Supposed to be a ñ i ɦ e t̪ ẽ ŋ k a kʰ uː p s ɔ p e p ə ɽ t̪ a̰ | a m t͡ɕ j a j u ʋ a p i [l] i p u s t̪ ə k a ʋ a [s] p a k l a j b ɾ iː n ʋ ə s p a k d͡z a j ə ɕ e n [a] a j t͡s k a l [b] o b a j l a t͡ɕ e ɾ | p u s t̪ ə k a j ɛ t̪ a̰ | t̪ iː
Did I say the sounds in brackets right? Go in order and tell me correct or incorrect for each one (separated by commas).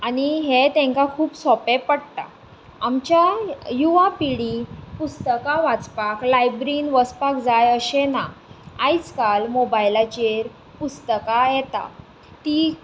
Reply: incorrect, incorrect, correct, incorrect